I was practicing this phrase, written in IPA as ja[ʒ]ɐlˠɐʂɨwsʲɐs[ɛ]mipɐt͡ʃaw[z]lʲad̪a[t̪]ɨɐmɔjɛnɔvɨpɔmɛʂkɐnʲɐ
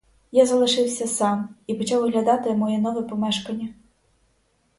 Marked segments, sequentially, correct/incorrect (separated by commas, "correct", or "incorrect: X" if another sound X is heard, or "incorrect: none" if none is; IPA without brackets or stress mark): incorrect: z, incorrect: a, incorrect: ɣ, correct